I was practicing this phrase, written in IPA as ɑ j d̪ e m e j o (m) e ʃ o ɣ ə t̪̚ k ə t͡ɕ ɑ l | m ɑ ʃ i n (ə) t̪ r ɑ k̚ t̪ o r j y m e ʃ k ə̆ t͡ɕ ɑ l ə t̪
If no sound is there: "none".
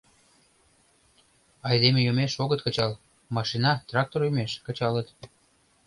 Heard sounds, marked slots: m, ɑ

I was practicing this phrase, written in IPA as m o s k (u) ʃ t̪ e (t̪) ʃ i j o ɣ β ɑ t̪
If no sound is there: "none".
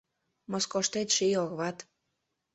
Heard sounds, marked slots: o, t̪

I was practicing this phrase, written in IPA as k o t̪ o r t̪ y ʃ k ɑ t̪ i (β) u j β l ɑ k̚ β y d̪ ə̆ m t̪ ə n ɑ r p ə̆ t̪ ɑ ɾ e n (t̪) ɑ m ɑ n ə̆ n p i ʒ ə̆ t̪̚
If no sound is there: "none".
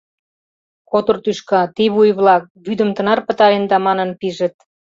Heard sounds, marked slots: β, d̪

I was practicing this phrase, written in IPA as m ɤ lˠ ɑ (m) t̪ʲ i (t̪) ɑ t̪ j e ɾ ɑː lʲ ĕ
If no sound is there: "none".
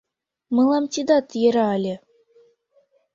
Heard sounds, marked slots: m, d̪

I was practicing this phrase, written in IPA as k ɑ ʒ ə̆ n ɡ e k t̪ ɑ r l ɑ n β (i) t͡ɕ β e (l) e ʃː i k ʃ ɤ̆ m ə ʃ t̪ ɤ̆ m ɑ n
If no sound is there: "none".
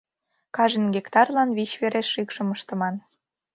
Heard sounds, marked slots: i, ɾ

